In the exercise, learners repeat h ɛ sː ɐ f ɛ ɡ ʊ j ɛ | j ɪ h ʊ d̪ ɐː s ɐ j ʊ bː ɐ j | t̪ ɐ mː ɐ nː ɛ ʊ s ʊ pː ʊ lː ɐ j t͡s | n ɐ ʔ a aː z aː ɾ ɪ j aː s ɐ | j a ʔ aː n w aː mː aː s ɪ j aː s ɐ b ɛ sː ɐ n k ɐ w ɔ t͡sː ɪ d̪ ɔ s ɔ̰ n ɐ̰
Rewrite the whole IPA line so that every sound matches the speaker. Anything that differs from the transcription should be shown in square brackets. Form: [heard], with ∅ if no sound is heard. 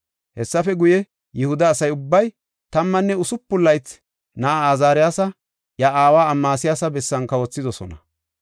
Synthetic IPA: h ɛ sː ɐ f ɛ ɡ ʊ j ɛ | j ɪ h ʊ d̪ ɐː s ɐ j ʊ bː ɐ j | t̪ ɐ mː ɐ nː ɛ ʊ s ʊ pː ʊ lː ɐ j t͡s | n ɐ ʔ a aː z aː ɾ ɪ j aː s ɐ | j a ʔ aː [∅] w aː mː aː s ɪ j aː s ɐ b ɛ sː ɐ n k ɐ w ɔ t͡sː ɪ d̪ ɔ s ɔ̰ n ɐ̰